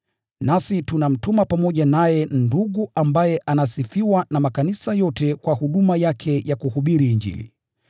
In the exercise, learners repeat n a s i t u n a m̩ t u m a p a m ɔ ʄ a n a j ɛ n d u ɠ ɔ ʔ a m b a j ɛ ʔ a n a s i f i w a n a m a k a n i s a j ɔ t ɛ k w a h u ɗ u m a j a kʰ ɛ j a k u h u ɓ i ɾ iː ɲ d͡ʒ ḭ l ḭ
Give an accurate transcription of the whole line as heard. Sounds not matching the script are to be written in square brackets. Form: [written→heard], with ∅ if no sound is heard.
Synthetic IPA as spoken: n a s i t u n a m̩ t u m a p a m ɔ ʄ a n a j ɛ n d u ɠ [ɔ→u] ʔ a m b a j ɛ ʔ a n a s i f i w a n a m a k a n i s a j ɔ t ɛ k w a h u ɗ u m a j a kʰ ɛ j a k u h u ɓ i ɾ iː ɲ d͡ʒ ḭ l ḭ